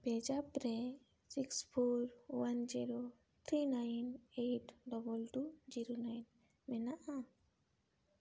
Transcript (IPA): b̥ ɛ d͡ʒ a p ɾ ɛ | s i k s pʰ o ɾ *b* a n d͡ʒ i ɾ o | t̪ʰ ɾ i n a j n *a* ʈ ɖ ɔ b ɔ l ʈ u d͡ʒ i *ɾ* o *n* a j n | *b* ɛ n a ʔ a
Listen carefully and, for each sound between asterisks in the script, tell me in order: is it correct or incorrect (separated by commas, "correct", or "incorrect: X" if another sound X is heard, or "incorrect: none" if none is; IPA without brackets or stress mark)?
incorrect: w, incorrect: e, correct, correct, incorrect: m